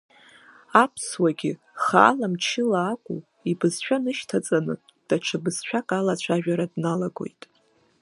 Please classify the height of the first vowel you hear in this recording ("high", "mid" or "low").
low